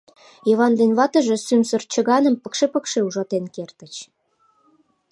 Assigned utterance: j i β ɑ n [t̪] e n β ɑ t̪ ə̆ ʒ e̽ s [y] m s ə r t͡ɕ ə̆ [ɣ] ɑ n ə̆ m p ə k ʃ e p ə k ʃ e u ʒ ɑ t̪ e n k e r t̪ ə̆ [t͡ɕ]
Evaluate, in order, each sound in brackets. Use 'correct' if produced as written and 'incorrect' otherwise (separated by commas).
incorrect, correct, correct, correct